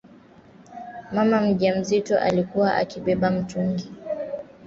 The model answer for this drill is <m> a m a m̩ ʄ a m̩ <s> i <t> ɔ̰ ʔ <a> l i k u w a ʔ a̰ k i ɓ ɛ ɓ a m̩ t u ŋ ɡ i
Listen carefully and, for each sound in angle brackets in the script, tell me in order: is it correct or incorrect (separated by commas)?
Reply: correct, incorrect, correct, correct